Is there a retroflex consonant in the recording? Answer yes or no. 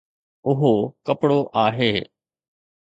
yes